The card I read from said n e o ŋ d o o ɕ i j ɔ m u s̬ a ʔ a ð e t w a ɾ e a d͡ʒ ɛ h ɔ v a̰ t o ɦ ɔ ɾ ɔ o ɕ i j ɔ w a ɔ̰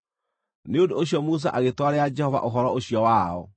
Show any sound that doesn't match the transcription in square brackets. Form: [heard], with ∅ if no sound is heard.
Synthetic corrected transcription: n e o [n] d o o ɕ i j ɔ m u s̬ a ʔ a [ɣ] e t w a ɾ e a d͡ʒ ɛ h ɔ v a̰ [ʔ] o ɦ ɔ ɾ ɔ o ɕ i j ɔ w a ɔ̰